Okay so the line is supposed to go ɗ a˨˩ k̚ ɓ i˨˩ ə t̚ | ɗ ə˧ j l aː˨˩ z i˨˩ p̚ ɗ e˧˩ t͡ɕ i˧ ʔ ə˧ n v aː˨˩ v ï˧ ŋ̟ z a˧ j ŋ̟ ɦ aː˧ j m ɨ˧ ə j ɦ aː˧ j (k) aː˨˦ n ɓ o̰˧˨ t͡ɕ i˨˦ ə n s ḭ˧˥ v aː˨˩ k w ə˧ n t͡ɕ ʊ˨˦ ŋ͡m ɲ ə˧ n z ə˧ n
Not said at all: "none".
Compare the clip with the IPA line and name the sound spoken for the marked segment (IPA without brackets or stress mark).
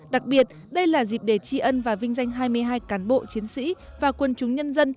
k